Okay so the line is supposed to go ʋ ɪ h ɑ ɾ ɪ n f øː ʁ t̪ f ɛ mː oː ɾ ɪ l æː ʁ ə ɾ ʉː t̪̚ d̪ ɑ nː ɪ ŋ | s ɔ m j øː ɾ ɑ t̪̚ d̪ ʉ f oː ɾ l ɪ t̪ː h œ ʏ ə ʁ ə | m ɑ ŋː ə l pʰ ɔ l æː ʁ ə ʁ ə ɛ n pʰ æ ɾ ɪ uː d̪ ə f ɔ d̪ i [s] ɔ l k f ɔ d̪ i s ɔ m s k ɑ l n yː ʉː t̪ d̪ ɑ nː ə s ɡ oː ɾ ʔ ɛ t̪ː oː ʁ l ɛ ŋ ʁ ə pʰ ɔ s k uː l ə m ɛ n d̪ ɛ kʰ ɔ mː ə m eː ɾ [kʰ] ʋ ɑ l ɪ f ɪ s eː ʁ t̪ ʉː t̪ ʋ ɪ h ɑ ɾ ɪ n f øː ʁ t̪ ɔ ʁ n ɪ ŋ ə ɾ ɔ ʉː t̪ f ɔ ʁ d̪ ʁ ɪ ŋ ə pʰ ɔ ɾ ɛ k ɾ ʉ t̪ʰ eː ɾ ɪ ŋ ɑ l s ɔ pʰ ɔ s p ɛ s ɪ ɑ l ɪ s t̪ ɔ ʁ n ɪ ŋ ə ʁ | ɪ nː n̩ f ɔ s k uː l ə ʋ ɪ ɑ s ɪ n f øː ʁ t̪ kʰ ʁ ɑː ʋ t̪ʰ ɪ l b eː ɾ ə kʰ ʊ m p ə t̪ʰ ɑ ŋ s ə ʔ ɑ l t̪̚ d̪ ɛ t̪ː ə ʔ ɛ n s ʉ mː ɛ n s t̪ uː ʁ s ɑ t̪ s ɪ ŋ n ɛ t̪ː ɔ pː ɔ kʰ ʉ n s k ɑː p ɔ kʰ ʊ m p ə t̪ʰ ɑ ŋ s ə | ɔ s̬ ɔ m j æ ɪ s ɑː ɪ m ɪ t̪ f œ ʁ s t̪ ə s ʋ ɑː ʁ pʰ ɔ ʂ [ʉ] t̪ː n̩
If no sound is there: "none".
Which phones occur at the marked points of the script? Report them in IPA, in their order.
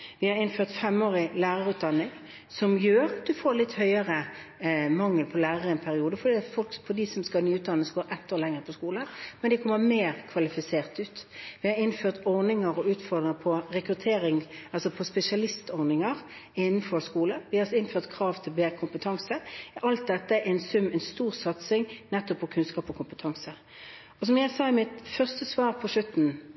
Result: f, kʰ, ʉ

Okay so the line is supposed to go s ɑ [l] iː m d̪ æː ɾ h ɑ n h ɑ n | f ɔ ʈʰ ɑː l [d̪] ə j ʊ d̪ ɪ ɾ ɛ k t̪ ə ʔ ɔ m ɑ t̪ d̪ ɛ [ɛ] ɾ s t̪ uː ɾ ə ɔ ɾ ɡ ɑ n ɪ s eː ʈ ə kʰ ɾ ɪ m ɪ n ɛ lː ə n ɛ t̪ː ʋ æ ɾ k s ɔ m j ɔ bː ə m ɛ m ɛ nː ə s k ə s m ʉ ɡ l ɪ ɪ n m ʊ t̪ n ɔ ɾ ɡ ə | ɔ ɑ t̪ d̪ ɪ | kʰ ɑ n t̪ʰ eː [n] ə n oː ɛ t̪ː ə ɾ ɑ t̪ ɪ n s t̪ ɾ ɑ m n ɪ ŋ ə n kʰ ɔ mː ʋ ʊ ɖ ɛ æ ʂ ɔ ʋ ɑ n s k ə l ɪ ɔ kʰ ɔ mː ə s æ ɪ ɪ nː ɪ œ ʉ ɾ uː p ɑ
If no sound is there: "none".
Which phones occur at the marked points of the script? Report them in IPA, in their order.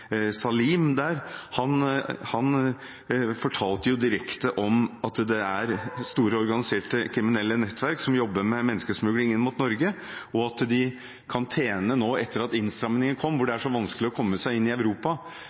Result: l, t̪, æ, n

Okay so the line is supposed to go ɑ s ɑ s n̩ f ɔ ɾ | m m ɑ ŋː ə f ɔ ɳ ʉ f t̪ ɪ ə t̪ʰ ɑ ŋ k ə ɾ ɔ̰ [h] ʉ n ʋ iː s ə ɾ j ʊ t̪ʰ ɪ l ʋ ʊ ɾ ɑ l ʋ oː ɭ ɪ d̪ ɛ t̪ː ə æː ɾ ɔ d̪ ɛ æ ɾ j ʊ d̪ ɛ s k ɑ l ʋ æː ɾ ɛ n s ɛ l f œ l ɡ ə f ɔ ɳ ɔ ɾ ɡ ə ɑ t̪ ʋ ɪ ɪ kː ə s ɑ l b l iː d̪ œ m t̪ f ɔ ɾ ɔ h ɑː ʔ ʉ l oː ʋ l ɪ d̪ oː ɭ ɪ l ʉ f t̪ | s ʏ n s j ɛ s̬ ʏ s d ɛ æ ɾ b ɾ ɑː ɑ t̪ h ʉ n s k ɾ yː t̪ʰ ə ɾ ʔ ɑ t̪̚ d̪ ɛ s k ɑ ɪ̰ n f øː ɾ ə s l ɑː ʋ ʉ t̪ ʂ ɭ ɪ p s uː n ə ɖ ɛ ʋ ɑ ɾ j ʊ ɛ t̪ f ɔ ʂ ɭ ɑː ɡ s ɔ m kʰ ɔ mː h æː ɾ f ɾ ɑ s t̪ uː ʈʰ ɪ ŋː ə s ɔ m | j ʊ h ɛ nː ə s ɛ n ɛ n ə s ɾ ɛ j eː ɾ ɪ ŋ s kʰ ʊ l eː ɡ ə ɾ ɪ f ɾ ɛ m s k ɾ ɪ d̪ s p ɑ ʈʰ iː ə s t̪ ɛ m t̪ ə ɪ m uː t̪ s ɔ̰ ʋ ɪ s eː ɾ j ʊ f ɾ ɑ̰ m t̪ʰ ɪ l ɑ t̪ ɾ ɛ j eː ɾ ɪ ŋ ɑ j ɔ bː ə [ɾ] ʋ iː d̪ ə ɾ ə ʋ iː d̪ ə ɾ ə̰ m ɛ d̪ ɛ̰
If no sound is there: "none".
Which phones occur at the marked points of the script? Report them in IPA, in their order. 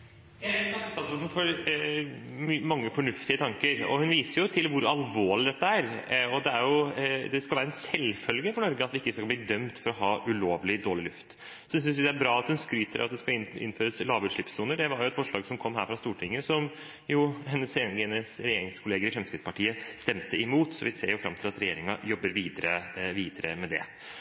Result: h, ɾ

